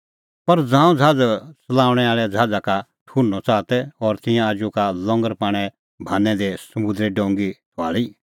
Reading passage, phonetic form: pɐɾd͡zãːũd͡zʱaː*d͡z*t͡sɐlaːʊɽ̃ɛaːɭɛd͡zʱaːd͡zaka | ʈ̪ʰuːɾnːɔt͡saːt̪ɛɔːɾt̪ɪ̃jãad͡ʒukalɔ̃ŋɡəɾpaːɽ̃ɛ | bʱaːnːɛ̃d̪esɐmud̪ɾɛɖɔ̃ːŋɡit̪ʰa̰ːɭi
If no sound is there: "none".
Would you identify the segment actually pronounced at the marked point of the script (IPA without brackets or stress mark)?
d͡z